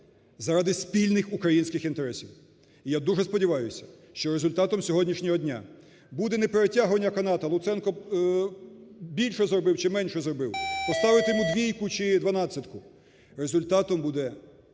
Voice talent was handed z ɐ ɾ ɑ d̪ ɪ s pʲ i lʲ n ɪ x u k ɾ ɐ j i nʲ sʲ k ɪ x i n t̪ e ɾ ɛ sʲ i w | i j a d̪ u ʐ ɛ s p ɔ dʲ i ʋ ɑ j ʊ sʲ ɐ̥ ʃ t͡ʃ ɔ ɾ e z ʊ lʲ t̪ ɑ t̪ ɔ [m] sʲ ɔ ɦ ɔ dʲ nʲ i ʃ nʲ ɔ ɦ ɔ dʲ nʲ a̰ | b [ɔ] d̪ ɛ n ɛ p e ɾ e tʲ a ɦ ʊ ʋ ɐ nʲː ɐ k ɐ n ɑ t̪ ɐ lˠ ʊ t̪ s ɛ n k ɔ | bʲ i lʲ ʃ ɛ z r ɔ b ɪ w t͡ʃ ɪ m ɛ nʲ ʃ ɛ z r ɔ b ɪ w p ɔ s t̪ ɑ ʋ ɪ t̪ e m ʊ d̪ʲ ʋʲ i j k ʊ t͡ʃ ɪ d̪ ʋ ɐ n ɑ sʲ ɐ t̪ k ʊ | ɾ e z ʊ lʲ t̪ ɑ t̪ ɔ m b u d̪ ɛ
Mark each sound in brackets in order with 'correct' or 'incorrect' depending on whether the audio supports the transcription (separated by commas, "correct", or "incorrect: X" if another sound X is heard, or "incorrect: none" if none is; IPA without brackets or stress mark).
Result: correct, incorrect: u